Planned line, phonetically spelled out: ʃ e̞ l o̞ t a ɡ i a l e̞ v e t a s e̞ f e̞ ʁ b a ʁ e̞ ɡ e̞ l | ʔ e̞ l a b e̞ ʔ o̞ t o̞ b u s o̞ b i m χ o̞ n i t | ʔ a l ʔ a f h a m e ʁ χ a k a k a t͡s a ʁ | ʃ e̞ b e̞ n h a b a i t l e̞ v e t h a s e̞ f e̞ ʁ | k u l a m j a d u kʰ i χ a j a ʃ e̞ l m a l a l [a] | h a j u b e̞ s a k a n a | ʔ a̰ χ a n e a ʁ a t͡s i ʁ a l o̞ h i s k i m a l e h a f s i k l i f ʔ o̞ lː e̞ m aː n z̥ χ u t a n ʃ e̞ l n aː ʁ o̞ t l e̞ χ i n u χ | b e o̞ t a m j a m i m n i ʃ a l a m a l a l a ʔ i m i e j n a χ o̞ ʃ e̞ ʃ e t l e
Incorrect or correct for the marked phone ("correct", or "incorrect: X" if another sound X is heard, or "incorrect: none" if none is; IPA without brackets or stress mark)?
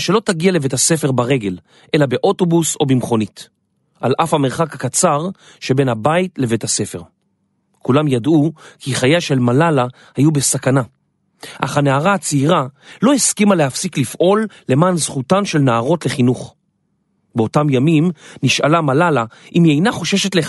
correct